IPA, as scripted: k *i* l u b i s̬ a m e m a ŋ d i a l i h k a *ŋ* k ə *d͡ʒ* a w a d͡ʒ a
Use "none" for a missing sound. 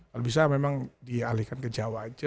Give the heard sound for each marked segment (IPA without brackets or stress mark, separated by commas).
a, n, d͡ʒ